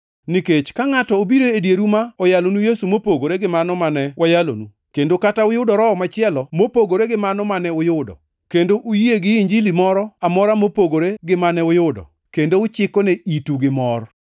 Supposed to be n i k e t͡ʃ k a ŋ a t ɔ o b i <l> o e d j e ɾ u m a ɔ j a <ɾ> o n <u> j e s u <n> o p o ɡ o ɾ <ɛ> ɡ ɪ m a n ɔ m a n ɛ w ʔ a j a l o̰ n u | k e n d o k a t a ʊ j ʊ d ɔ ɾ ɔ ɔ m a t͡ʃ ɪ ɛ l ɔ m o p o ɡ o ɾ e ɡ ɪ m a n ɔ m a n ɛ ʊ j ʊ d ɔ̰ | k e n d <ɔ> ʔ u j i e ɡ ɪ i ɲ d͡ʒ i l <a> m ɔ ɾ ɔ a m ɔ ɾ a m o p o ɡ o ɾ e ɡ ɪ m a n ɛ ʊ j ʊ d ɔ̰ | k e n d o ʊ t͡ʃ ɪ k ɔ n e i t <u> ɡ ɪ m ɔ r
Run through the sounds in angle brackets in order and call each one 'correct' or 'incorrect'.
incorrect: ɾ, incorrect: l, correct, incorrect: m, incorrect: e, incorrect: o, incorrect: i, correct

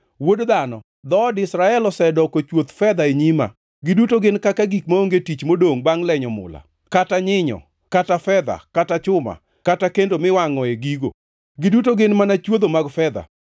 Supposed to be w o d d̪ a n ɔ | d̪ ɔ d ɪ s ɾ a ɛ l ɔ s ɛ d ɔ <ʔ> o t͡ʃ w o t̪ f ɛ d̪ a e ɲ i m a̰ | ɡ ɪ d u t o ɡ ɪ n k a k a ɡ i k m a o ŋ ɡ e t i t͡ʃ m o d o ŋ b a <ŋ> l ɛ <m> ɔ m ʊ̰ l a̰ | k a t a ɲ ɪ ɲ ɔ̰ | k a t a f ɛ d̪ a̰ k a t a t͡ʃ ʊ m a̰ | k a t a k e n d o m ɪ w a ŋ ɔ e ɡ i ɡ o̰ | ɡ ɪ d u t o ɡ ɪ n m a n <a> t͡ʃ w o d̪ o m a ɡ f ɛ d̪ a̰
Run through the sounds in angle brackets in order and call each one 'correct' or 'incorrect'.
incorrect: k, correct, incorrect: ɲ, correct

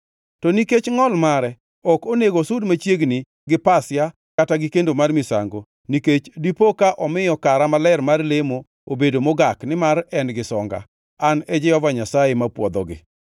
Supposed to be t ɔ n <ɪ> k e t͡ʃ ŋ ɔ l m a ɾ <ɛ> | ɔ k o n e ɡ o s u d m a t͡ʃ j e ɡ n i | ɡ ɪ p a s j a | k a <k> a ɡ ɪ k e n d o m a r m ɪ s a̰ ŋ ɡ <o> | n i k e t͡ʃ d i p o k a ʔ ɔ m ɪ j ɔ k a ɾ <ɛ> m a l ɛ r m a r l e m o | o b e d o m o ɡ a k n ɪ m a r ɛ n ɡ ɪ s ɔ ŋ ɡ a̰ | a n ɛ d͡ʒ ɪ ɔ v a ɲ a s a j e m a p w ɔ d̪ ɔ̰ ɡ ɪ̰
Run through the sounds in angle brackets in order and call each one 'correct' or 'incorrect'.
incorrect: i, correct, incorrect: t, correct, incorrect: a

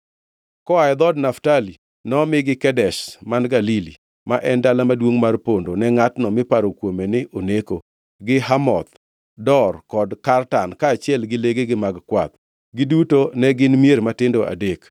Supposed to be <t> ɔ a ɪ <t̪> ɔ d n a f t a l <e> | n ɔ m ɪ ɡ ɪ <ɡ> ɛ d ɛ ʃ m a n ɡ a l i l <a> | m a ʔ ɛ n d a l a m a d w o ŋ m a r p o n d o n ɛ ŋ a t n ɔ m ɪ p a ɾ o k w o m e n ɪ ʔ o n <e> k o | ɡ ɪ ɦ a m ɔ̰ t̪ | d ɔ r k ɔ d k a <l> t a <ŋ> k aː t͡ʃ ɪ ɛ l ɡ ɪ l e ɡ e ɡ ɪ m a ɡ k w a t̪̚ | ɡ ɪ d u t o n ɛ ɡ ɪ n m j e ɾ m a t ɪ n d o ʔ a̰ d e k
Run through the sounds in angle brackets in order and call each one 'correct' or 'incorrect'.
incorrect: k, incorrect: d̪, incorrect: i, incorrect: k, incorrect: i, correct, incorrect: r, incorrect: n

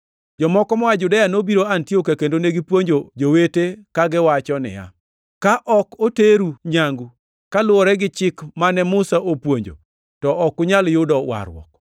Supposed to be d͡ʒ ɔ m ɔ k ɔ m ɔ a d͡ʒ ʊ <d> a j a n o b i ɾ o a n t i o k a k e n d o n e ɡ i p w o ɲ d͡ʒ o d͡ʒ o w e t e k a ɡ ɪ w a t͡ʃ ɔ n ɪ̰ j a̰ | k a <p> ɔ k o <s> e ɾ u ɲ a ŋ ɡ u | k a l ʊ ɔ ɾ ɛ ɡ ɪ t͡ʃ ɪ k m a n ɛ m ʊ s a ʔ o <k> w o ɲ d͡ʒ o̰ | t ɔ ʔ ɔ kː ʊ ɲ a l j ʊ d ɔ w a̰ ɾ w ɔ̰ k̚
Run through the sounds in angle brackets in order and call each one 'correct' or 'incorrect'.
correct, incorrect: ʔ, incorrect: t, incorrect: p

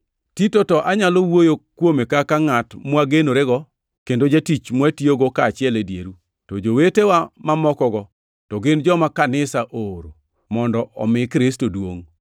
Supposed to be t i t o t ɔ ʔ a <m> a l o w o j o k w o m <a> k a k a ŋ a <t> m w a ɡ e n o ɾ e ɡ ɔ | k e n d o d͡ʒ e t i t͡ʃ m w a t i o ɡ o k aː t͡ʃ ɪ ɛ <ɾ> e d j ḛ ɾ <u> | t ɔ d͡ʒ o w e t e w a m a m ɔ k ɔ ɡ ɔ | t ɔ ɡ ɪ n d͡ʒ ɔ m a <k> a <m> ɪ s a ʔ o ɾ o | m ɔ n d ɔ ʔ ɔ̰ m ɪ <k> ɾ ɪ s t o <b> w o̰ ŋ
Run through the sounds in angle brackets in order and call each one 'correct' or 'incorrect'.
incorrect: ɲ, incorrect: e, correct, incorrect: l, correct, correct, incorrect: n, correct, incorrect: d

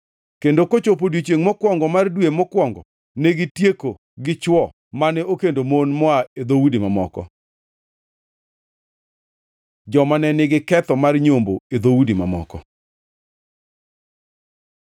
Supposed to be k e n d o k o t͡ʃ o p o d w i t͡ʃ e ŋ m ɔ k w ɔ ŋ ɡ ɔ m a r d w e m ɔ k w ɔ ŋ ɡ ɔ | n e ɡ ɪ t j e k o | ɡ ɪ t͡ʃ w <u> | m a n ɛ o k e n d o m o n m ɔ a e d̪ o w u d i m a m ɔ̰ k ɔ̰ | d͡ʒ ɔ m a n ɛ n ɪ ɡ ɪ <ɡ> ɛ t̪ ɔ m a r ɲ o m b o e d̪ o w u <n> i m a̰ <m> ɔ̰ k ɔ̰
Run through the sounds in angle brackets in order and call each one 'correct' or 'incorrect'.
incorrect: ɔ, incorrect: k, incorrect: d, correct

